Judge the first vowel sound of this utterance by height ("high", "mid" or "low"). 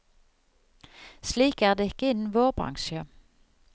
high